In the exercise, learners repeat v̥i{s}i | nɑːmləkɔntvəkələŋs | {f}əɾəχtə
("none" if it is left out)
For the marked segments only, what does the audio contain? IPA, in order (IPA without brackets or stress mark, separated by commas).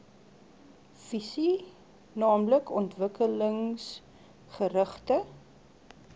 s, χ